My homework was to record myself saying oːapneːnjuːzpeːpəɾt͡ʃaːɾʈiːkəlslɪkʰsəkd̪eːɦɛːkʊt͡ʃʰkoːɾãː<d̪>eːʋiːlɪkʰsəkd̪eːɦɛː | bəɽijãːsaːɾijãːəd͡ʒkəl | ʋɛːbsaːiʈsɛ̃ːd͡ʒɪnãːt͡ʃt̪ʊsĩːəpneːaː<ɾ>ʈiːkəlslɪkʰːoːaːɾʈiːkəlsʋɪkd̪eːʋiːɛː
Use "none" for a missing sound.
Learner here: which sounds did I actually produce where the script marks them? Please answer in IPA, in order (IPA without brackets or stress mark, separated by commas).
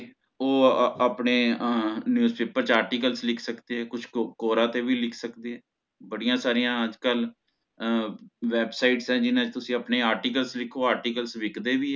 t̪, ɾ